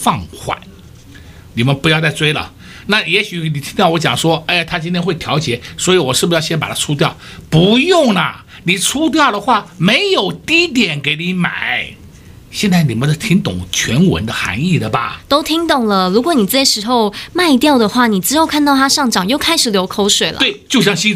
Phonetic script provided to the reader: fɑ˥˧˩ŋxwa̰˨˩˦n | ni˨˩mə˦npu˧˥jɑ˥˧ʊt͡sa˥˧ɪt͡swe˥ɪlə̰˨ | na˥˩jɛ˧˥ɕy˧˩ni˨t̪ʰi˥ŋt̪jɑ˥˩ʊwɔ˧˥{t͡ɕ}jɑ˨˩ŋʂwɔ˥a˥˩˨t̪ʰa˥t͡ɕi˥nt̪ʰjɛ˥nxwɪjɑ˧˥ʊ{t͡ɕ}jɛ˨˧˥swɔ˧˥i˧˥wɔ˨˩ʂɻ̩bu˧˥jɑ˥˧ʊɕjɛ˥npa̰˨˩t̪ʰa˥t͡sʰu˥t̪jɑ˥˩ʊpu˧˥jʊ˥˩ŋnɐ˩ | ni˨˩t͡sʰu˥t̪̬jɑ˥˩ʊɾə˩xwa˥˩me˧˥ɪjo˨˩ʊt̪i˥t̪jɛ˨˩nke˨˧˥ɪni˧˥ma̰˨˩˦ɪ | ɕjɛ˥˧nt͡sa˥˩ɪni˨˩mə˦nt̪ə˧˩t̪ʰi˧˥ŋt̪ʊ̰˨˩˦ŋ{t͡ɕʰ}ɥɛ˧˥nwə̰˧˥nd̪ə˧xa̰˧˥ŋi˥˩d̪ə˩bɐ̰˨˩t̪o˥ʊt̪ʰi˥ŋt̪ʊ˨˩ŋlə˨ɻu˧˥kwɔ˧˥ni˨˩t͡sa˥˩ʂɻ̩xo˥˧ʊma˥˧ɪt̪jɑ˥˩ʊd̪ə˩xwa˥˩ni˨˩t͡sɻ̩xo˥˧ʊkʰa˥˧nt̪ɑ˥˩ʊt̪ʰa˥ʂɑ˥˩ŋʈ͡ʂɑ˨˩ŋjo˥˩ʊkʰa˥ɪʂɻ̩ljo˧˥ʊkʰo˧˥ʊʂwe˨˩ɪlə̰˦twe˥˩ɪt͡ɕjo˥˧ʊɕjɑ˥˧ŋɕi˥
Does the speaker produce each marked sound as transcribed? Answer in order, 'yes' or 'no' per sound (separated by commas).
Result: yes, yes, yes